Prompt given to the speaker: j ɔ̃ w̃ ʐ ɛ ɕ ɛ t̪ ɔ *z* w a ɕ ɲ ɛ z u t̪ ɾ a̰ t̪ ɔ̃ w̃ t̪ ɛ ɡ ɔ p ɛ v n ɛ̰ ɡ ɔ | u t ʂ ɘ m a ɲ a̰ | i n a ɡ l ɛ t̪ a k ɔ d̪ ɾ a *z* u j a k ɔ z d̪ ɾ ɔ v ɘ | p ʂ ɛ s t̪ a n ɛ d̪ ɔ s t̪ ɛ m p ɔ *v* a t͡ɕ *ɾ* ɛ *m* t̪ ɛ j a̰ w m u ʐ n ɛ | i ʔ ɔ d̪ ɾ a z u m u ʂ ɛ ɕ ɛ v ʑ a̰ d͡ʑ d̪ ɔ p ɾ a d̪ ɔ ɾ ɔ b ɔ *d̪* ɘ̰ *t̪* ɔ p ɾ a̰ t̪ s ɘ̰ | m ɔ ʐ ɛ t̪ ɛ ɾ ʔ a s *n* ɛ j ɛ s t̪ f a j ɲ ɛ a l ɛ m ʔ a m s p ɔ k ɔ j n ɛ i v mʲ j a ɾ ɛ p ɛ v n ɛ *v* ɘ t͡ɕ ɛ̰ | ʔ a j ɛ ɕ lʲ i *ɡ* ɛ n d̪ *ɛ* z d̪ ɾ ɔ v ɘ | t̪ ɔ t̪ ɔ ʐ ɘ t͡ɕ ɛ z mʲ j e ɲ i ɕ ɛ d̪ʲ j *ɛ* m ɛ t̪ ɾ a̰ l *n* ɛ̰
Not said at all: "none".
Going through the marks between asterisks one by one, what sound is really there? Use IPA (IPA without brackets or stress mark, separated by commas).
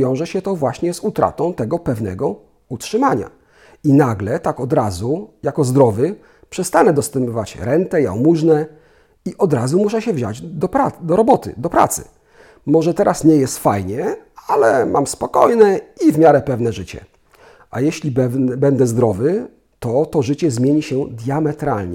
v, z, v, ɾ, n, t̪, d̪, ɲ, ʐ, b, ɛ, a, ɲ